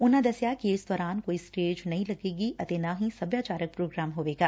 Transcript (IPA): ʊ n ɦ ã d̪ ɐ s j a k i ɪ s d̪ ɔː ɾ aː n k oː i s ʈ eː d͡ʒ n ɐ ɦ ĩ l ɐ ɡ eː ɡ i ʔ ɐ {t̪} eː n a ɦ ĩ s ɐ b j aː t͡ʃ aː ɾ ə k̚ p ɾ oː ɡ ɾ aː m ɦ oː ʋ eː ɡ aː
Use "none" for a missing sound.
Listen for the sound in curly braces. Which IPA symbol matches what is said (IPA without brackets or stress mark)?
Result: t̪